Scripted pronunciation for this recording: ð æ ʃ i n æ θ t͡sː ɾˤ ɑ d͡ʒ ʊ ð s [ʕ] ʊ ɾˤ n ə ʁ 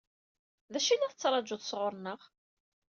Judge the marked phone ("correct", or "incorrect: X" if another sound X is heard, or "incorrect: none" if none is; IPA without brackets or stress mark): incorrect: ʁ